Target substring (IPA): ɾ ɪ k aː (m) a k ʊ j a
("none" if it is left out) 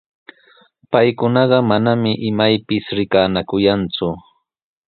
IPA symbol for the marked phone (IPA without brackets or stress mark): n